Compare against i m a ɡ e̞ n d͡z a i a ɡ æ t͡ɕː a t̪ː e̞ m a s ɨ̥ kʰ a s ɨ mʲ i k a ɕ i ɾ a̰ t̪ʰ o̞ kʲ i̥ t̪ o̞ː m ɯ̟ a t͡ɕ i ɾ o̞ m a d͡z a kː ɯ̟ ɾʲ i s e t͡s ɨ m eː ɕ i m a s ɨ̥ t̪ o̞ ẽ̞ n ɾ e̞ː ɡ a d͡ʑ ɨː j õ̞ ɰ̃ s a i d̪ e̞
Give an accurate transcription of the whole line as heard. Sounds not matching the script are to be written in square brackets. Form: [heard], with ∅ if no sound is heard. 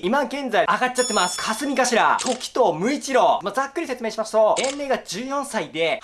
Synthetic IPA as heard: i m a ɡ [ẽ̞] n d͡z a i a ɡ [a] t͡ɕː a t̪ː e̞ m a s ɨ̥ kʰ a s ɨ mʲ i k a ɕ i ɾ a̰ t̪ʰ o̞ kʲ i̥ t̪ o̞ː m ɯ̟ [i] t͡ɕ i ɾ o̞ m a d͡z a kː ɯ̟ ɾʲ i s e t͡s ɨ m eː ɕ i m a s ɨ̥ t̪ o̞ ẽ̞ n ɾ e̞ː ɡ a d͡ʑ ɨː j õ̞ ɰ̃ s a i d̪ e̞